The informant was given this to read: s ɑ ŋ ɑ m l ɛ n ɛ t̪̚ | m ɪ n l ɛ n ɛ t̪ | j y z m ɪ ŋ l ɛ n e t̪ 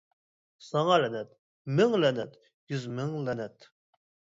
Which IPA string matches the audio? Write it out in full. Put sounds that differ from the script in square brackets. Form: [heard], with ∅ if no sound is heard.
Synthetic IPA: s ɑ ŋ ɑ [∅] l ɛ n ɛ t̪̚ | m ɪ [ŋ] l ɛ n ɛ t̪ | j y z m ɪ ŋ l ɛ n [ɛ] t̪